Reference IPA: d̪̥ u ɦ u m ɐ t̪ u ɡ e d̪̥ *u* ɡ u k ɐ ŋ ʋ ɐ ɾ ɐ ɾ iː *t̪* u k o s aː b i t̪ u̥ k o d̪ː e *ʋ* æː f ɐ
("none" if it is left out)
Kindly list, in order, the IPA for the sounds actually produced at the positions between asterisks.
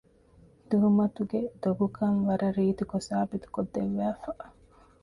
o, t̪, ʋː

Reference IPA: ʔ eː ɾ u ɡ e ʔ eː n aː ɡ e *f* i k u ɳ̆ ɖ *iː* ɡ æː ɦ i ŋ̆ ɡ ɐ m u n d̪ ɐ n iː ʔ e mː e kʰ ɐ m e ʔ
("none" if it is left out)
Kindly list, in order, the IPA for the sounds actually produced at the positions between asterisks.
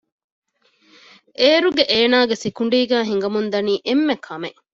s, iː

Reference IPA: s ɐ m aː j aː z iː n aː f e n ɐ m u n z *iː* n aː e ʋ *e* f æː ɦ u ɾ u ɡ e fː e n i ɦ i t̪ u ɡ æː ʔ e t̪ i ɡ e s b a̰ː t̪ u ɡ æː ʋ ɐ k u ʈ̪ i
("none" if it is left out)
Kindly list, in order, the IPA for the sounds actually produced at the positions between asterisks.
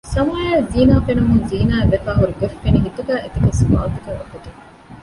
iː, e

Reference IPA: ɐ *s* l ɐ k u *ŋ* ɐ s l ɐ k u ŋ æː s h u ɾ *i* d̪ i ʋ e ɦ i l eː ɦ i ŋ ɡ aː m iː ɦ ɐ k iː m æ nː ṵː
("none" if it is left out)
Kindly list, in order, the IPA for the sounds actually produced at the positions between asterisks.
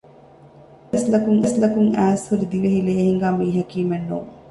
s, ŋ, i

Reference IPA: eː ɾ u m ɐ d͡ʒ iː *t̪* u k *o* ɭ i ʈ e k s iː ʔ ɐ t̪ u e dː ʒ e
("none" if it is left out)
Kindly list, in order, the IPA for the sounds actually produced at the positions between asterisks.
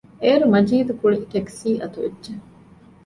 d̪, u

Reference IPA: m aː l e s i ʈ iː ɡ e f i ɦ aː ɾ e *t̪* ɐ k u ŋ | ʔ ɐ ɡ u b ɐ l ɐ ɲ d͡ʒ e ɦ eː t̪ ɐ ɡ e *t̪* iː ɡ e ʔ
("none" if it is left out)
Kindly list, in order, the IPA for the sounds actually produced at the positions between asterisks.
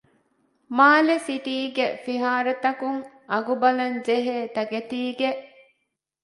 t̪, t̪

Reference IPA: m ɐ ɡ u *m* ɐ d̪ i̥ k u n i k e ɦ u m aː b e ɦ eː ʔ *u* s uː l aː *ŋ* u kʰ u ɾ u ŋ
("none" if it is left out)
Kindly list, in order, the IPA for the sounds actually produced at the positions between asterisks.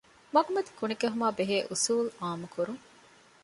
m, u, m

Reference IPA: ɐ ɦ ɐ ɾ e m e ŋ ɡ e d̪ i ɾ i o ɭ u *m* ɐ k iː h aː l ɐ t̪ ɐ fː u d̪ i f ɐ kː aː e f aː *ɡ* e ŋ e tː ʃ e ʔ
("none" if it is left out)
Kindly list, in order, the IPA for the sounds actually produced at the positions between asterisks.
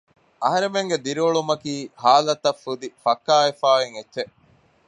m, none

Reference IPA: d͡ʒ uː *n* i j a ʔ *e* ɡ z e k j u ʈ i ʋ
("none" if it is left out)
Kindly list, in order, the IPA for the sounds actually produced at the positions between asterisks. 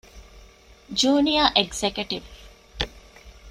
n, e

